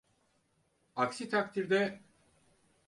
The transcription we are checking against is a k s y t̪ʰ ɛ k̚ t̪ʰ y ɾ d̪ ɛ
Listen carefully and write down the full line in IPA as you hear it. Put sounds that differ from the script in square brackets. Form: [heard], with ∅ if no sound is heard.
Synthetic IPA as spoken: a k s [i] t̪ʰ [a] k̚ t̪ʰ [i] ɾ d̪ ɛ